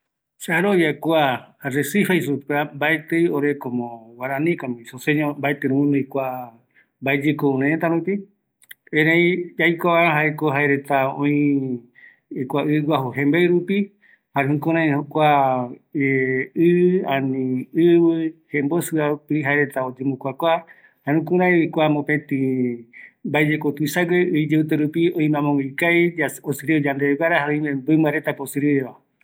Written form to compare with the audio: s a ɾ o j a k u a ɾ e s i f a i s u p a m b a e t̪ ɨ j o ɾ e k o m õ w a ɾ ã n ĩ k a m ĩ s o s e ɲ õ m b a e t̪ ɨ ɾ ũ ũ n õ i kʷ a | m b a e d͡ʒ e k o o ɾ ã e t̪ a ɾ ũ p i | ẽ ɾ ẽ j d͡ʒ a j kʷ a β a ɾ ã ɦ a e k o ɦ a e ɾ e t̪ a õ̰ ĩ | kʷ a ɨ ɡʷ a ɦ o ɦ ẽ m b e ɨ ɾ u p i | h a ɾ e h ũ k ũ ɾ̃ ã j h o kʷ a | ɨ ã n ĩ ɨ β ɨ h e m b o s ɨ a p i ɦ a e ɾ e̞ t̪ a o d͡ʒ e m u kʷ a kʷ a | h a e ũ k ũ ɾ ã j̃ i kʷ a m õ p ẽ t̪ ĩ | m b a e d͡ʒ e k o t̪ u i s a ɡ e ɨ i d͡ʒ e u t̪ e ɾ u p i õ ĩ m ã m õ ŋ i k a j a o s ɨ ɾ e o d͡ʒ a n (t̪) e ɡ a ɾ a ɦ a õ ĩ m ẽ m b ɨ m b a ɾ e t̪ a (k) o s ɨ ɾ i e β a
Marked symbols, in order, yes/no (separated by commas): no, no